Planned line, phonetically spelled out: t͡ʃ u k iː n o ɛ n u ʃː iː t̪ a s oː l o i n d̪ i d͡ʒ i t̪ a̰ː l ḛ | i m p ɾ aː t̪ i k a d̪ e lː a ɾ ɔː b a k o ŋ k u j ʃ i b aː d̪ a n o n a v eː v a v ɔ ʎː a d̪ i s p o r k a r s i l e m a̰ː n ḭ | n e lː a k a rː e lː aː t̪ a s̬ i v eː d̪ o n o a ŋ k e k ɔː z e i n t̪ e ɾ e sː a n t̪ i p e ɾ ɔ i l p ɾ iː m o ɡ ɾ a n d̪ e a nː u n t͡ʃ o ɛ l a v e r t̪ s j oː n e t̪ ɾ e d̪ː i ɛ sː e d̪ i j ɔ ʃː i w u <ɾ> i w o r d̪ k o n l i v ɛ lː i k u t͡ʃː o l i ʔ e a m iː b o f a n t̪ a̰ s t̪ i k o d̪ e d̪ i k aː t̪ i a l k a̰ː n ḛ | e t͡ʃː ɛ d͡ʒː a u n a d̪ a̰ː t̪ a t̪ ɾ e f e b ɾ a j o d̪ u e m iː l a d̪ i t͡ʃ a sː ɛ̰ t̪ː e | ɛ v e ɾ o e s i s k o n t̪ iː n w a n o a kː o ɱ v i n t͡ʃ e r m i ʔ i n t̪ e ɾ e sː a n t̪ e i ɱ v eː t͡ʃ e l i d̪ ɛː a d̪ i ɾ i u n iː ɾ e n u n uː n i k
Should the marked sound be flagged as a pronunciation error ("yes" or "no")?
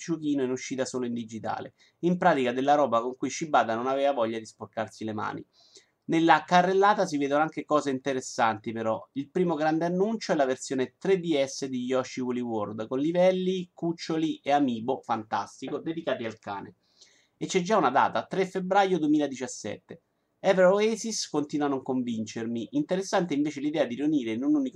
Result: yes